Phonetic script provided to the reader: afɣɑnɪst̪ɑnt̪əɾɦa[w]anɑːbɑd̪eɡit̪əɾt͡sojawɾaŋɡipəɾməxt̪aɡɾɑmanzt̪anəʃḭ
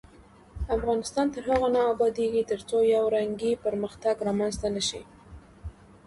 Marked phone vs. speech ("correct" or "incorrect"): incorrect